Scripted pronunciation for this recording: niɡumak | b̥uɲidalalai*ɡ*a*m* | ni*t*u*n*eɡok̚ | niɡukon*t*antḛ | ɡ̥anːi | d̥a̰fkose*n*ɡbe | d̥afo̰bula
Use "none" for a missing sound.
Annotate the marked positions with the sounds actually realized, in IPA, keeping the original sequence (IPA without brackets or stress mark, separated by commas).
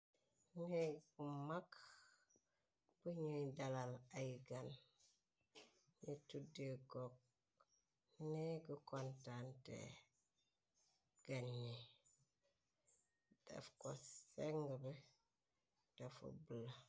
ɡ, n, t, d, t, ŋ